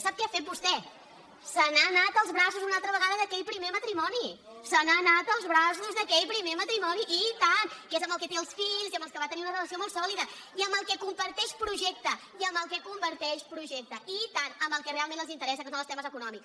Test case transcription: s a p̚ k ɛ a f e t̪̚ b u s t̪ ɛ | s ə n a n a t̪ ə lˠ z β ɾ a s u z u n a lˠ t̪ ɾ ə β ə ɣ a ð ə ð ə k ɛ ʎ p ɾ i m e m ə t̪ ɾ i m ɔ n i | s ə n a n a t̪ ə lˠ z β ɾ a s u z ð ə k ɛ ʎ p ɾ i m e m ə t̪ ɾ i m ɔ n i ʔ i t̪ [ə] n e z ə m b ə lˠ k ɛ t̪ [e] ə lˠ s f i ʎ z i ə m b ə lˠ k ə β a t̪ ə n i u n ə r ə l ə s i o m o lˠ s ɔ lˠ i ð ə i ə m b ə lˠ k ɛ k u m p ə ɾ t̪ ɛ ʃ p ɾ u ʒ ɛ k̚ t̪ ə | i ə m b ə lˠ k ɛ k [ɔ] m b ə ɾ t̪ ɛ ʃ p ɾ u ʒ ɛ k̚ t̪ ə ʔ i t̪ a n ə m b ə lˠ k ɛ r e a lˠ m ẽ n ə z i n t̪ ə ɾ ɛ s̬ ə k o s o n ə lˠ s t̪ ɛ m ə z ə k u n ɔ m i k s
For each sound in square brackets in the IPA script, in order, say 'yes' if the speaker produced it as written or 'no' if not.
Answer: no, yes, no

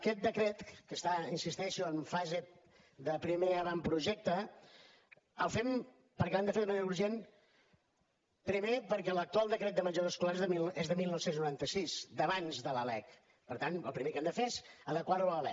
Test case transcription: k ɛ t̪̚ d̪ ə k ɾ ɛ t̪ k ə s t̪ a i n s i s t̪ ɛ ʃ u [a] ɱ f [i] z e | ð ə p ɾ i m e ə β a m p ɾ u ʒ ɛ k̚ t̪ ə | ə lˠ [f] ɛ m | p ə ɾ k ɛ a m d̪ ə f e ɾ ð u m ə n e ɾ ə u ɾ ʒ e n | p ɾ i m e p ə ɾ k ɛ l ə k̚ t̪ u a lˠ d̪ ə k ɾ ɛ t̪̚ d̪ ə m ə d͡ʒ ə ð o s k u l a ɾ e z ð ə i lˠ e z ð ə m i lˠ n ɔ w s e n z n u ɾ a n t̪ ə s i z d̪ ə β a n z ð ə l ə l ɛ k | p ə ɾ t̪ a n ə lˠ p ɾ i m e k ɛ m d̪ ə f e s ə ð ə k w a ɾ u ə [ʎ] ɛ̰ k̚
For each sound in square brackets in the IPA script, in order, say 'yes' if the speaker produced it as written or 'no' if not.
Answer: no, no, yes, no

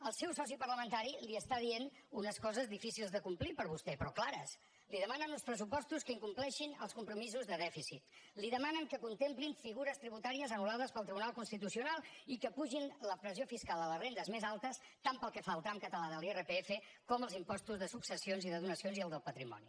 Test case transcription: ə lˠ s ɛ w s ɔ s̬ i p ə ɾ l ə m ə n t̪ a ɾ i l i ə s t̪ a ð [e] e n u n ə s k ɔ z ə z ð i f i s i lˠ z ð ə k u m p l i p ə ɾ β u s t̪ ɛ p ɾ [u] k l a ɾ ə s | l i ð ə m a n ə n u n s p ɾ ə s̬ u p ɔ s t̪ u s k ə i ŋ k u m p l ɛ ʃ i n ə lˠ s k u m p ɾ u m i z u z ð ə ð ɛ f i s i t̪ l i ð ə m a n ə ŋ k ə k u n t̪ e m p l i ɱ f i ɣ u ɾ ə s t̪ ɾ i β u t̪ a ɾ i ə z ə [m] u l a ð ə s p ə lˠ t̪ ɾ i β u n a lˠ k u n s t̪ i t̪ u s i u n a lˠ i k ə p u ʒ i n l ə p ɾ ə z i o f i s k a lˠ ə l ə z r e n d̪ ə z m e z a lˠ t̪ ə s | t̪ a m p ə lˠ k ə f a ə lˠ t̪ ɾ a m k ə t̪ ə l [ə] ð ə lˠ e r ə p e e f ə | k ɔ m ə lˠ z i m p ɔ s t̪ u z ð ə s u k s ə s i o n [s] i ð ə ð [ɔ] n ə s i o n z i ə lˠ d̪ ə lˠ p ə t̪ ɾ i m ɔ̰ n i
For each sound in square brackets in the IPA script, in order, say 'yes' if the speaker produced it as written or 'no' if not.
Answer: no, no, no, no, no, no

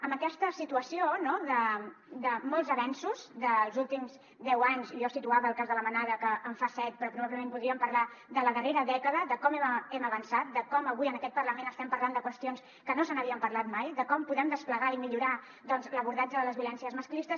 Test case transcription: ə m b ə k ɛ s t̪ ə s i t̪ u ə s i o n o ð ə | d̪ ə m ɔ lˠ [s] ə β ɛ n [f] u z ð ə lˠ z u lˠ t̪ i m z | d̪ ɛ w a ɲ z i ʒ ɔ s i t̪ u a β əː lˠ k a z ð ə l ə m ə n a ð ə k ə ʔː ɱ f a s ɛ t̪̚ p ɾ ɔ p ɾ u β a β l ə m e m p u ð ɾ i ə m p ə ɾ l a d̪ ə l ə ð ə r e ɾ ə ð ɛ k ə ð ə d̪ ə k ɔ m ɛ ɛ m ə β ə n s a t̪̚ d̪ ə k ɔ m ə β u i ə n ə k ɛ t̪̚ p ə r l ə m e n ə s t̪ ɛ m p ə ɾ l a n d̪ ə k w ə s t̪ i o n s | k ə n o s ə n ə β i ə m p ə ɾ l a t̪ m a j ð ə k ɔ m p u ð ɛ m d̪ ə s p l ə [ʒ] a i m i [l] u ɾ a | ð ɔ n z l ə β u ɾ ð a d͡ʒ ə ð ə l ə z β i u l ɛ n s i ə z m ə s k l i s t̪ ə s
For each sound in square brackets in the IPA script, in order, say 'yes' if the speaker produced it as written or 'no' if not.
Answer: no, no, no, no

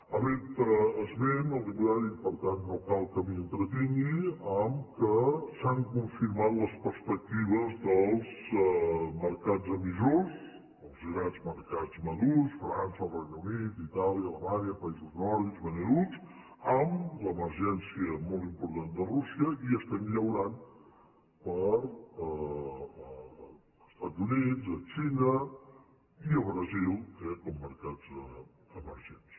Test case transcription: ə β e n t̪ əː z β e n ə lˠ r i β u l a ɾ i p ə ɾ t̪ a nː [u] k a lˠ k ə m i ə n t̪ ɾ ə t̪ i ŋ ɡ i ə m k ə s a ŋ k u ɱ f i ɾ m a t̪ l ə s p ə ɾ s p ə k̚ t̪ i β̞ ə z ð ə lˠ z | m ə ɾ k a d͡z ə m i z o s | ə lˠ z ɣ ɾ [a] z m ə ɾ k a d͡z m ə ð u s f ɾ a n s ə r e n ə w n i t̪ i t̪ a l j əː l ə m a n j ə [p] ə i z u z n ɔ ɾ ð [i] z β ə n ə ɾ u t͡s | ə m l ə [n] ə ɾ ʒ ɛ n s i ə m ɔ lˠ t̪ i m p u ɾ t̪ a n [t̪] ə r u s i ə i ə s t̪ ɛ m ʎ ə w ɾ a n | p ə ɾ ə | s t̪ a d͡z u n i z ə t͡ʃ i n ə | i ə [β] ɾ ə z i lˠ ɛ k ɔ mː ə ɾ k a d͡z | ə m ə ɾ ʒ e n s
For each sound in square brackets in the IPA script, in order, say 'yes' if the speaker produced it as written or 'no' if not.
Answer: no, yes, yes, yes, no, no, yes

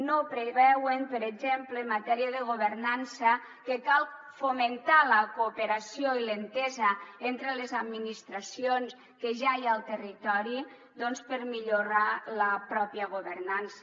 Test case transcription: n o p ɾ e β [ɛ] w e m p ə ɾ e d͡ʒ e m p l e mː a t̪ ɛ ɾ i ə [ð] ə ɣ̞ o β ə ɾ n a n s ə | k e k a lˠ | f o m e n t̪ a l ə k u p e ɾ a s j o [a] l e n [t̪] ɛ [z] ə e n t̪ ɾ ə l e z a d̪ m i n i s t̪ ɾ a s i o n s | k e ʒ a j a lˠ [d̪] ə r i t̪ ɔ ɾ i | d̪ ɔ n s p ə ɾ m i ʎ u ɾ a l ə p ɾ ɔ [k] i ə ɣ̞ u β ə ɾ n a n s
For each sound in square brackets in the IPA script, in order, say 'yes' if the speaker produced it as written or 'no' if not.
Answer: yes, yes, no, yes, yes, no, no

